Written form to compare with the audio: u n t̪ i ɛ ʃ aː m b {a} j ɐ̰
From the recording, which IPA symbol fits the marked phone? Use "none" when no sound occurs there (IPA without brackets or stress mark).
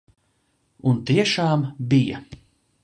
i